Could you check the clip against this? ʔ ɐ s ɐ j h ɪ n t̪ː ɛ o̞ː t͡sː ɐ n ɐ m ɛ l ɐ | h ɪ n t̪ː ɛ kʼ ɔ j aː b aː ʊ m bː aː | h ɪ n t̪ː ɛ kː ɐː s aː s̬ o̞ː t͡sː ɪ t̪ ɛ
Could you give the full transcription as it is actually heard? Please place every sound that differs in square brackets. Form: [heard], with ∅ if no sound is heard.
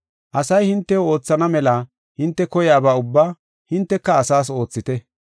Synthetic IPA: ʔ ɐ s ɐ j h ɪ n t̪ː ɛ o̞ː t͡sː ɐ n ɐ m ɛ l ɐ | h ɪ n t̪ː ɛ [k] ɔ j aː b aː ʊ [∅] bː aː | h ɪ n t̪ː ɛ kː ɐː s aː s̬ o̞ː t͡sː ɪ t̪ ɛ

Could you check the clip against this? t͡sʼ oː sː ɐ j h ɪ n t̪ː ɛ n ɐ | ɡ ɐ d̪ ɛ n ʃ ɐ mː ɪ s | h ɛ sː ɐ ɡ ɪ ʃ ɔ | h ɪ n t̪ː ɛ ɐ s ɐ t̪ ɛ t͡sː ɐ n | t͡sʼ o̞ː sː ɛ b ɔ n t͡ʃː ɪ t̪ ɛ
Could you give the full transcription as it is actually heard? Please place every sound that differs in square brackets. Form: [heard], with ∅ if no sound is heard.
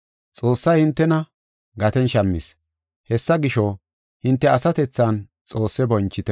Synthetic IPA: t͡sʼ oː sː ɐ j h ɪ n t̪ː ɛ n ɐ | ɡ ɐ [t̪] ɛ n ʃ ɐ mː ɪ s | h ɛ sː ɐ ɡ ɪ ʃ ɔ | h ɪ n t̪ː ɛ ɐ s ɐ t̪ ɛ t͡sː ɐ n | t͡sʼ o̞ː sː ɛ b ɔ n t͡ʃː ɪ t̪ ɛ

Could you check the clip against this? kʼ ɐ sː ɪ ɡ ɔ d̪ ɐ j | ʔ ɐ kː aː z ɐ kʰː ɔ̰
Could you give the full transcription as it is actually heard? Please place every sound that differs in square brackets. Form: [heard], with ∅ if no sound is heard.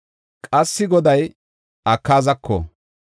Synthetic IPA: kʼ ɐ sː ɪ ɡ ɔ d̪ ɐ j | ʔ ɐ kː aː z ɐ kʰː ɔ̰

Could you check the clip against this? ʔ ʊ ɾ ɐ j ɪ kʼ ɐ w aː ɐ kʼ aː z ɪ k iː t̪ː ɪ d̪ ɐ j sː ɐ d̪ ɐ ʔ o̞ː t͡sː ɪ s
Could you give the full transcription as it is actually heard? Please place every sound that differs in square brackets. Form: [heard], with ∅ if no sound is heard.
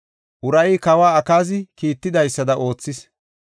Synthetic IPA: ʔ ʊ ɾ ɐ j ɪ [k] ɐ w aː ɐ [k] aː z ɪ k iː t̪ː ɪ d̪ ɐ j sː ɐ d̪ ɐ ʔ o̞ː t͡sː ɪ s

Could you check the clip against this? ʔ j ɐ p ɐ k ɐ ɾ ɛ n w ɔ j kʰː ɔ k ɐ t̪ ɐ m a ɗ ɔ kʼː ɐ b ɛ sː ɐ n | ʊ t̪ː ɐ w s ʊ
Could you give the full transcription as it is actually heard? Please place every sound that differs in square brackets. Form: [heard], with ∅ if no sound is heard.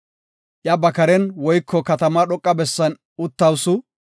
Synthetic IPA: ʔ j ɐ [b] ɐ k ɐ ɾ ɛ n w ɔ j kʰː ɔ k ɐ t̪ ɐ m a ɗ ɔ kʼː ɐ b ɛ sː ɐ n | ʊ t̪ː ɐ w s ʊ

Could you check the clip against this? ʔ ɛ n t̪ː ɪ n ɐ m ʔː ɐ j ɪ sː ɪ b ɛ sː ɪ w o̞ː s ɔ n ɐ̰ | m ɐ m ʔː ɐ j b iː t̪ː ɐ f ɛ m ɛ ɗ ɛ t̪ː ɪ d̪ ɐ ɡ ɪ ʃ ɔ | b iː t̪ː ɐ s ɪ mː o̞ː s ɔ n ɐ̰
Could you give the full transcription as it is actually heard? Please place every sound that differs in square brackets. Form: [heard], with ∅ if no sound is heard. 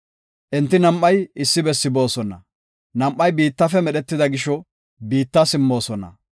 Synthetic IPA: ʔ ɛ n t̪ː ɪ n ɐ m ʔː ɐ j ɪ sː ɪ b ɛ sː ɪ [b] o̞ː s ɔ n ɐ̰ | [n] ɐ m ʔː ɐ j b iː t̪ː ɐ f ɛ m ɛ ɗ ɛ t̪ː ɪ d̪ ɐ ɡ ɪ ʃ ɔ | b iː t̪ː ɐ s ɪ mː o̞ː s ɔ n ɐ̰

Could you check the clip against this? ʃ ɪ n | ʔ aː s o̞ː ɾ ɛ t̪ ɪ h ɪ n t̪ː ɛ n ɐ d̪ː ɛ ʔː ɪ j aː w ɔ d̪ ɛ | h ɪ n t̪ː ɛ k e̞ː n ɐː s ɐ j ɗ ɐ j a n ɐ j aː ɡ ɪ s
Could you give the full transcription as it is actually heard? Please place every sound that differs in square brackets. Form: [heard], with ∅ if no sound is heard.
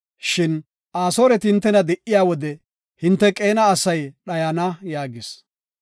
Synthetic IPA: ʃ ɪ n | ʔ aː s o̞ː ɾ ɛ t̪ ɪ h ɪ n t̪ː ɛ n ɐ [d̪] ɛ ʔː ɪ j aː w ɔ d̪ ɛ | h ɪ n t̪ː ɛ [kʼ] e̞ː n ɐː s ɐ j ɗ ɐ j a n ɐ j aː ɡ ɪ s

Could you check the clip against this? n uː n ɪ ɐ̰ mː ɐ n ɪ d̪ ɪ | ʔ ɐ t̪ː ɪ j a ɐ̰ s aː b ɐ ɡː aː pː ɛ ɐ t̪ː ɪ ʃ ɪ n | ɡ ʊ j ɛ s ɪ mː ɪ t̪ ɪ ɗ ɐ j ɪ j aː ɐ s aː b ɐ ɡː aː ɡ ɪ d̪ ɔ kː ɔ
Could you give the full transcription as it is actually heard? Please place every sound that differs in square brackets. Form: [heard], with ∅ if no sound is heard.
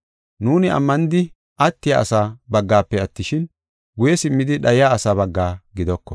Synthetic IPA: n uː n ɪ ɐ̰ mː ɐ n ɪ d̪ ɪ | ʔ ɐ t̪ː ɪ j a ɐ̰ s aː b ɐ ɡː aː pː ɛ ɐ t̪ː ɪ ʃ ɪ n | ɡ ʊ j ɛ s ɪ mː ɪ [d̪] ɪ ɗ ɐ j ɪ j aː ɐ s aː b ɐ ɡː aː ɡ ɪ d̪ ɔ kː ɔ

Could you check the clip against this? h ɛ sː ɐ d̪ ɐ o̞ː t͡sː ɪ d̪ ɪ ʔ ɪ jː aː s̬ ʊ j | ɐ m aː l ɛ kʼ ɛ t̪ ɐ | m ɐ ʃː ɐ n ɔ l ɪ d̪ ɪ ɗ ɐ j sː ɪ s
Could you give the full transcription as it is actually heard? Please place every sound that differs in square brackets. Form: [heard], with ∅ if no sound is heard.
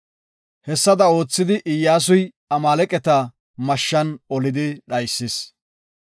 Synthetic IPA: h ɛ sː ɐ d̪ ɐ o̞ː t͡sː ɪ d̪ ɪ ʔ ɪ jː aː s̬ ʊ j | ɐ m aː l ɛ kʼ ɛ t̪ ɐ | m ɐ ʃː ɐ n ɔ l ɪ d̪ ɪ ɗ ɐ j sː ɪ s

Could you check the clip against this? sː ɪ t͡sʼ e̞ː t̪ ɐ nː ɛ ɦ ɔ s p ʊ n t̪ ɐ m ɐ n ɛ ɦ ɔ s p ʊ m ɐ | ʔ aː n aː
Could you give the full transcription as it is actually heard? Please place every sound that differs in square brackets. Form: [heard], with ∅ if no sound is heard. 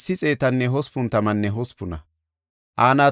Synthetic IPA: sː ɪ t͡sʼ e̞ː t̪ ɐ nː ɛ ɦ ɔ s p ʊ n t̪ ɐ m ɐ [nː] ɛ ɦ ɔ s p ʊ [n] ɐ | ʔ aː n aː

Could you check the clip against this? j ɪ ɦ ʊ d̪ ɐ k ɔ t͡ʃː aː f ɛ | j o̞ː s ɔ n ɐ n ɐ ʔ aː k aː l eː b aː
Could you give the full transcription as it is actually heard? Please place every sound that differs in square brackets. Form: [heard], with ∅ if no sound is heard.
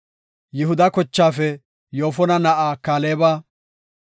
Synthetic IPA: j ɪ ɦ ʊ d̪ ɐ k ɔ t͡ʃː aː f ɛ | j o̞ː [f] ɔ n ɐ n ɐ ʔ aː k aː l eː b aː

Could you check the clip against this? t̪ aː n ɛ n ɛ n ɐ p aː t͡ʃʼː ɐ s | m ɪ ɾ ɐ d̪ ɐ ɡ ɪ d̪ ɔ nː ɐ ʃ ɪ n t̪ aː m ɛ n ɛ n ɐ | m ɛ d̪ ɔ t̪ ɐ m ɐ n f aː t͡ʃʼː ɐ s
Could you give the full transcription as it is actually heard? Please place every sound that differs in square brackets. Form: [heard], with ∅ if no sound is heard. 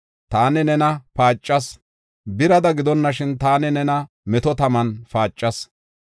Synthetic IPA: t̪ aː n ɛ n ɛ n ɐ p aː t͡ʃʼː ɐ s | [b] ɪ ɾ ɐ d̪ ɐ ɡ ɪ d̪ ɔ nː ɐ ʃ ɪ n t̪ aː [n] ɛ n ɛ n ɐ | m ɛ [t̪] ɔ t̪ ɐ m ɐ n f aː t͡ʃʼː ɐ s

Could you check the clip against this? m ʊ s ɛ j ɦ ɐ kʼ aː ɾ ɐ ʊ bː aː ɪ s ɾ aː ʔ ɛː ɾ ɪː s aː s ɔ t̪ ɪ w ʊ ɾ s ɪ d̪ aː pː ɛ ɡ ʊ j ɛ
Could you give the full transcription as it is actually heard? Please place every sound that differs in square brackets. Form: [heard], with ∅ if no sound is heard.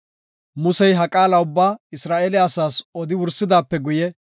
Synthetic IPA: m ʊ s ɛ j ɦ ɐ kʼ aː [l] ɐ ʊ bː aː ɪ s ɾ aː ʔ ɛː [l] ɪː s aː s ɔ [d̪] ɪ w ʊ ɾ s ɪ d̪ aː pː ɛ ɡ ʊ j ɛ

